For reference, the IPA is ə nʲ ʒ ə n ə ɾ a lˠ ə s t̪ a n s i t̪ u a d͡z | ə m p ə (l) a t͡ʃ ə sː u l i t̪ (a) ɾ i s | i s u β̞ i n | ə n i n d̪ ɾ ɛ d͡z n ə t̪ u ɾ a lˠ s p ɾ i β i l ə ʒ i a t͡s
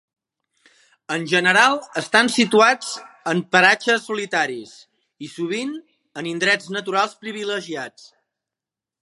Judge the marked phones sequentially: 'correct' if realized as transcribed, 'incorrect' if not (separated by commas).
incorrect, correct